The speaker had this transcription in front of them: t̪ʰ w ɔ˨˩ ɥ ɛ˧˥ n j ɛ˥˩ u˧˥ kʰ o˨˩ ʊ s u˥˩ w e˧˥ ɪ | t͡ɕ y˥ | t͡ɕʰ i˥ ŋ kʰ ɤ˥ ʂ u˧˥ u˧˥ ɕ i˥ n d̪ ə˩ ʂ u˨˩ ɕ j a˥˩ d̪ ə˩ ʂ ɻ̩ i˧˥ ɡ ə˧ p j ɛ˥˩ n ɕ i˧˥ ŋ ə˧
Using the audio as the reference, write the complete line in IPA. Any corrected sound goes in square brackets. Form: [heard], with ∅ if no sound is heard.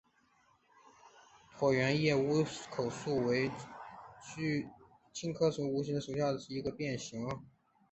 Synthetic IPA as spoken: t̪ʰ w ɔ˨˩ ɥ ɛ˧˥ n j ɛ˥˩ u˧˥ kʰ o˨˩ ʊ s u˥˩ w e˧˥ ɪ | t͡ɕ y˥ | t͡ɕʰ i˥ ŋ kʰ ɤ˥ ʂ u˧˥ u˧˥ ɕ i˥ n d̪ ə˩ ʂ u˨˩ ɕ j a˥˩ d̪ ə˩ ʂ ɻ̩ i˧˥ ɡ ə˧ p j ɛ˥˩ n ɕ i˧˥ ŋ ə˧